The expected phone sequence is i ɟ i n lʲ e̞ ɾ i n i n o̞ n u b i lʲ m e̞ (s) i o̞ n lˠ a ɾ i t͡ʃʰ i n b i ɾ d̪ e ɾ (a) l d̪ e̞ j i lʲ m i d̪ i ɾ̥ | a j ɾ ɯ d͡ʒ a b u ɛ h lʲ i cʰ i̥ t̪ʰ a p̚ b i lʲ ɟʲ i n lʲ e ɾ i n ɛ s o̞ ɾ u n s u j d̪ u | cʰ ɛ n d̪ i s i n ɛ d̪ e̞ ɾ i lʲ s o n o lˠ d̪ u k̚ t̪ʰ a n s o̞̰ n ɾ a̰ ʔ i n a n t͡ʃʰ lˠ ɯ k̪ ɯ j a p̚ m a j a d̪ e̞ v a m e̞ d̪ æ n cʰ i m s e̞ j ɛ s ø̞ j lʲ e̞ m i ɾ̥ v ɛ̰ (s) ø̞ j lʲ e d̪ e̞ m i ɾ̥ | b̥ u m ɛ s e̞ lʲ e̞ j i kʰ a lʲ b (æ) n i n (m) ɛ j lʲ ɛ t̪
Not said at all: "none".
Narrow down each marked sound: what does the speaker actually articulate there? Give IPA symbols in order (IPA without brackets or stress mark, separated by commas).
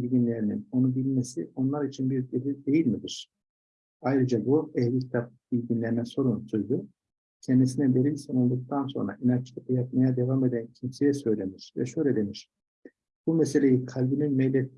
s, i, ʃ, i, m